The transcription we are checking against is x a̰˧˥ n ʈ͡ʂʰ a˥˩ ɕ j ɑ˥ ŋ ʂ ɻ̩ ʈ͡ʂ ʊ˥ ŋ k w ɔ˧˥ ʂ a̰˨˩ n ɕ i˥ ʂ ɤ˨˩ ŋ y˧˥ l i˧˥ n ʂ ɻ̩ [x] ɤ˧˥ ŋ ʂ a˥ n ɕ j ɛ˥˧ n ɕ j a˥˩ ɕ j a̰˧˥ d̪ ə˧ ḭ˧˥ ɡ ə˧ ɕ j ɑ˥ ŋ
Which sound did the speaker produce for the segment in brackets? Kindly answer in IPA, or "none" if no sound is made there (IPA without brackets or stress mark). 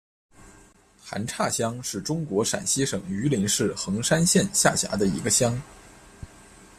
x